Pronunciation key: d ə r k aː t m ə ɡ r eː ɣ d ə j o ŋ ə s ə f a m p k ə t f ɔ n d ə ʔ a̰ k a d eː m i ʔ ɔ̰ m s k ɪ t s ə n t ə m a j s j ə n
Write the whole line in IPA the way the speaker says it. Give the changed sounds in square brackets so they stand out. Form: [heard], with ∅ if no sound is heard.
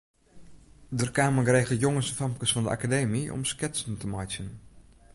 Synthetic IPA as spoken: d ə r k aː [∅] m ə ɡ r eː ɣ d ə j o ŋ ə s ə f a m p k ə [s] f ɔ n d ə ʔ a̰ k a d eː m i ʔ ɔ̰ m s k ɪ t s ə n t ə m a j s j ə n